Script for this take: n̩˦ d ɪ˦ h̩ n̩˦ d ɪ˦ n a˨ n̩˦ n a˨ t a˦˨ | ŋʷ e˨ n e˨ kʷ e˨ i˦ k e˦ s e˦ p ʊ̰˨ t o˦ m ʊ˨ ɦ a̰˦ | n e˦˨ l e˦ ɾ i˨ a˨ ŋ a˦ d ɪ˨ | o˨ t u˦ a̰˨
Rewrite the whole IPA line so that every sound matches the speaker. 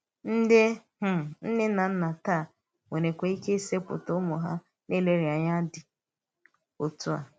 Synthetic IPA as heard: n̩˦ d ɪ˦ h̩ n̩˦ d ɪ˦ n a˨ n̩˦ n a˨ t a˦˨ | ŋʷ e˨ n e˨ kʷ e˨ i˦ k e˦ s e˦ p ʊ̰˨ t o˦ m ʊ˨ ɦ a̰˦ | n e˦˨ l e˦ ɾ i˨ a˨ ɲ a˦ d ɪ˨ | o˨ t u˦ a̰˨